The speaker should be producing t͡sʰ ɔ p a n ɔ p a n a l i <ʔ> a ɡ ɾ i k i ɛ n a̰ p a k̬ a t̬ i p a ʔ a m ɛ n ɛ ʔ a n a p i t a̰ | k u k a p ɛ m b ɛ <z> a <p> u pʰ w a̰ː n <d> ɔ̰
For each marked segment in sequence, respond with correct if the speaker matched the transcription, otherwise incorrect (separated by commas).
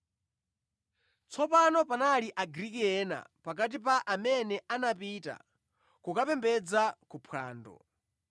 correct, incorrect, incorrect, correct